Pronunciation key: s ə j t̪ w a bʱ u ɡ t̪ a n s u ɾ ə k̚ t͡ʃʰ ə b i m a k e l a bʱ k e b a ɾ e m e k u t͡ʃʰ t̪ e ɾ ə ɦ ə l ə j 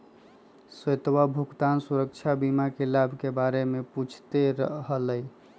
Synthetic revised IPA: s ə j t̪ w a bʱ u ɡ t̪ a n s u ɾ ə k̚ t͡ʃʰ a b i m a k e l a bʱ k e b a ɾ e m e p u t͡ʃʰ t̪ e ɾ ə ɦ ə l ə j